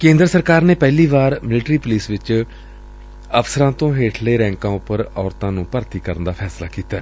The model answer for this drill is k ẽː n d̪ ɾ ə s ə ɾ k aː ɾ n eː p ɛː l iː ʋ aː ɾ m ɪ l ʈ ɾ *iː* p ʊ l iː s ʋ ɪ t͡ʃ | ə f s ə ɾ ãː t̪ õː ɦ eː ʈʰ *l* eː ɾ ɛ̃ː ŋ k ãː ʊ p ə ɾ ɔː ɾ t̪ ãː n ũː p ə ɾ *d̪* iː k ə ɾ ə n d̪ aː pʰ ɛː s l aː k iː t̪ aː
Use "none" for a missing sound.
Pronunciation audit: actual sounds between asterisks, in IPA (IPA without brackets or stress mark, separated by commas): iː, l, t̪